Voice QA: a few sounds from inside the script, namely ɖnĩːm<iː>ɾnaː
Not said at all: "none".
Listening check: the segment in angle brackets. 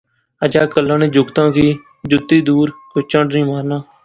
aː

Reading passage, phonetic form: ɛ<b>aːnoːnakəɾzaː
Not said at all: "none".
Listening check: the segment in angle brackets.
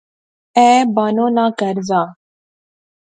b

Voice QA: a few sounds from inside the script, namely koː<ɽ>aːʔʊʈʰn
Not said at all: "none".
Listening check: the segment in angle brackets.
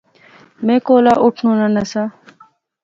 l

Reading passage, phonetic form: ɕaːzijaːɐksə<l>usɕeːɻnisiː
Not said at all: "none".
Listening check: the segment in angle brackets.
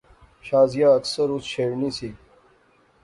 ɾ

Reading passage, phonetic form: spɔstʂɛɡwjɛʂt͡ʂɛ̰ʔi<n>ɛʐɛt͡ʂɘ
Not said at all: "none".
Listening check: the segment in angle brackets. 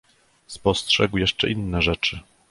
nː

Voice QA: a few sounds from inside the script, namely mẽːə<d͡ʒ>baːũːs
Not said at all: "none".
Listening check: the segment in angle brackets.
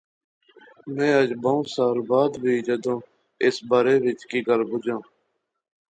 d͡ʒ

